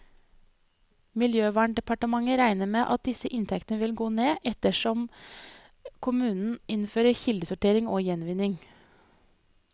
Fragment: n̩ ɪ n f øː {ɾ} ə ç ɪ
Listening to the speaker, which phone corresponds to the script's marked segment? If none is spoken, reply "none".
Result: ɾ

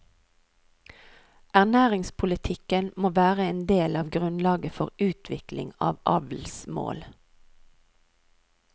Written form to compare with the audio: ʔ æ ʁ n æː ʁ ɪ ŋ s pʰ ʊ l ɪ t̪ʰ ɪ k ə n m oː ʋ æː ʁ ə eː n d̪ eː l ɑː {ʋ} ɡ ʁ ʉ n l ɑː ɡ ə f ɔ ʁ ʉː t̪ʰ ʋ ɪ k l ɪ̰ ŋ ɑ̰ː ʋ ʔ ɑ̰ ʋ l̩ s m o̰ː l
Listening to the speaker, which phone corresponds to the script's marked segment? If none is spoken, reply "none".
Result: ʋ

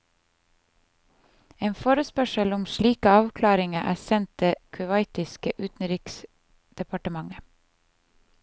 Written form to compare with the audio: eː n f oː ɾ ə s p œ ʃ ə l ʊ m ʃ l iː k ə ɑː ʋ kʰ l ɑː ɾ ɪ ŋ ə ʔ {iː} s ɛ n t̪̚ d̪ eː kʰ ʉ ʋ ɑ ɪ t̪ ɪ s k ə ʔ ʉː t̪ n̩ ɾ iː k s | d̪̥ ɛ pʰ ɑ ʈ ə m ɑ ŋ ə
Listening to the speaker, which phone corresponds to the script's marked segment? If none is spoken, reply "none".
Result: æː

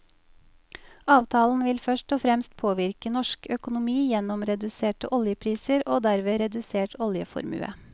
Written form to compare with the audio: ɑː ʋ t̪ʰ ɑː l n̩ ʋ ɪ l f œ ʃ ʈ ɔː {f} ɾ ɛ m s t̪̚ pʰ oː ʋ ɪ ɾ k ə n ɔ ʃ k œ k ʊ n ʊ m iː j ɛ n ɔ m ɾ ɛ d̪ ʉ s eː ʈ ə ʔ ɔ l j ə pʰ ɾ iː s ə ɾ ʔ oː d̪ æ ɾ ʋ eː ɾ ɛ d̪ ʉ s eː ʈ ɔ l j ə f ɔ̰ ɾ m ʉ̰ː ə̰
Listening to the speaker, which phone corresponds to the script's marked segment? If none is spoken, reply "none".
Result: f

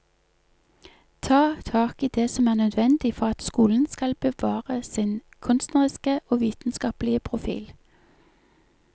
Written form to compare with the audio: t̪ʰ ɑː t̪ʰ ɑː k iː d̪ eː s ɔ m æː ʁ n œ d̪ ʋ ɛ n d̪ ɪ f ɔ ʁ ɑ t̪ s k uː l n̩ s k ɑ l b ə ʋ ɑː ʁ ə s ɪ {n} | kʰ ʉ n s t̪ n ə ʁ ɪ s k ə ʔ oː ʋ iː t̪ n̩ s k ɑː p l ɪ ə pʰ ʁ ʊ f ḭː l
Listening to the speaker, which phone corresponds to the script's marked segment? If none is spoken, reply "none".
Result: n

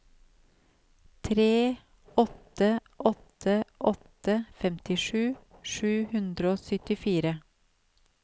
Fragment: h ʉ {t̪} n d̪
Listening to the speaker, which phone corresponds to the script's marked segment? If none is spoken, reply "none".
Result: none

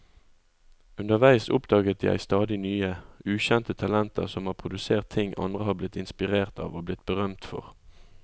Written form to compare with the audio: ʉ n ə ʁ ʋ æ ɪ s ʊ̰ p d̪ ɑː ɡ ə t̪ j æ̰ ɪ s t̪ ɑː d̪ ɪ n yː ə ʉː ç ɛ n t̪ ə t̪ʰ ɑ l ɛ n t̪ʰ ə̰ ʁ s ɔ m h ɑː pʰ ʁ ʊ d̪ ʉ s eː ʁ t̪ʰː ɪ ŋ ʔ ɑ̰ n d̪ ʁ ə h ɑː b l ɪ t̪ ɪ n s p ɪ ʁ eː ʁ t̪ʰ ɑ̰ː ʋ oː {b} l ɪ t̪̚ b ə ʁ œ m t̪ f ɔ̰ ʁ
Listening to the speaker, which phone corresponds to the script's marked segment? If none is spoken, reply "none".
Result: b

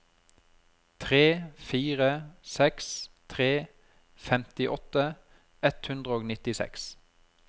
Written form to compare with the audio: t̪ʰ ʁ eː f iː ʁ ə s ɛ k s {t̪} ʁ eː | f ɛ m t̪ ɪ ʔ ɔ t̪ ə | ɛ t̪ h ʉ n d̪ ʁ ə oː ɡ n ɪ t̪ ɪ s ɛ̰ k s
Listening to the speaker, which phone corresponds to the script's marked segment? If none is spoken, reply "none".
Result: t̪ʰ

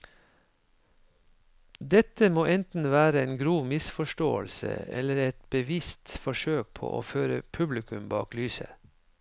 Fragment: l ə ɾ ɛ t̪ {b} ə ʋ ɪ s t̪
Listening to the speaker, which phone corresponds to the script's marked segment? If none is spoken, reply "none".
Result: b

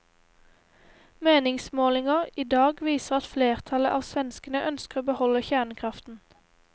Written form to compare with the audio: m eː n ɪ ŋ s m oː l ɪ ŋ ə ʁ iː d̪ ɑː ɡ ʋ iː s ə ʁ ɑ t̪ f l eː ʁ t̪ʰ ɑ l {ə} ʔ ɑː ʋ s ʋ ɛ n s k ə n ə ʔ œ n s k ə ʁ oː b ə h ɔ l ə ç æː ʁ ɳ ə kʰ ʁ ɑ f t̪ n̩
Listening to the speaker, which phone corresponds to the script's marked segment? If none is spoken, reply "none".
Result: ə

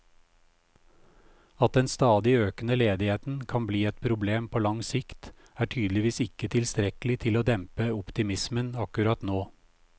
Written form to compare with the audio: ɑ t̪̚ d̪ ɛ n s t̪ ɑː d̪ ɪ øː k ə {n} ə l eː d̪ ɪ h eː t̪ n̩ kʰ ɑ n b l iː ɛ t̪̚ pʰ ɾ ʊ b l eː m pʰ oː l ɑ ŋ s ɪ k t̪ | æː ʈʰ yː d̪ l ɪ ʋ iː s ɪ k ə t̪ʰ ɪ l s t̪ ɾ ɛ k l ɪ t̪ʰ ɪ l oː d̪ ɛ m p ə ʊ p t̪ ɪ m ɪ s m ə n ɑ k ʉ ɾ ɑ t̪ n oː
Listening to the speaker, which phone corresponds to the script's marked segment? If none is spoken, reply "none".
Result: n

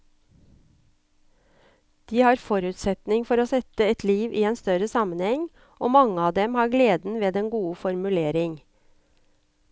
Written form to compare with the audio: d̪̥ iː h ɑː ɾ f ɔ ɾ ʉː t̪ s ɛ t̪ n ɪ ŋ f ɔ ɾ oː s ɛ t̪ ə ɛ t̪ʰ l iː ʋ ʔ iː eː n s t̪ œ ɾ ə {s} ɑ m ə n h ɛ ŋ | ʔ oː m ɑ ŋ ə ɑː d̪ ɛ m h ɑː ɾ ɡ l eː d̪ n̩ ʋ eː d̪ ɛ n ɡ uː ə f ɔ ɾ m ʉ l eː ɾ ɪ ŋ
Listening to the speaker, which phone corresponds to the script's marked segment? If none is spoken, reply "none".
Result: s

